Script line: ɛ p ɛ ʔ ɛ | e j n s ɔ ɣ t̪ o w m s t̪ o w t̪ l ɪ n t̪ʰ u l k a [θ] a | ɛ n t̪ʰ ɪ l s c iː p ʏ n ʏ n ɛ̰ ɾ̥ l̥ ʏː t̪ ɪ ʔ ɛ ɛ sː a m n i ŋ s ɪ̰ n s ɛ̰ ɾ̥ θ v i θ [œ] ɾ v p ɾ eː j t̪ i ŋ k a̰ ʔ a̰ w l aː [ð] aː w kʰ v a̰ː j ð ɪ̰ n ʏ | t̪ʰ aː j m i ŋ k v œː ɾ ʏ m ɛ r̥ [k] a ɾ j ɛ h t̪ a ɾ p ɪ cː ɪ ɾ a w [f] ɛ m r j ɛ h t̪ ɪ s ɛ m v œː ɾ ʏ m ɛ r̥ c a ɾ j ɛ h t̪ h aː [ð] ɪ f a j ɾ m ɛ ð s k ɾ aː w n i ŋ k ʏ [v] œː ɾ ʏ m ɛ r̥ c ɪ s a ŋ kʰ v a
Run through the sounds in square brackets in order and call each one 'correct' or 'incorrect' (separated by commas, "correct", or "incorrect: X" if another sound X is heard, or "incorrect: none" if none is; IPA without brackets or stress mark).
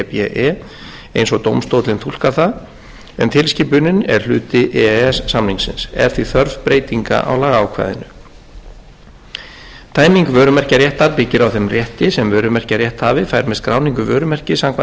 correct, correct, incorrect: ɣ, incorrect: c, incorrect: θ, incorrect: v, correct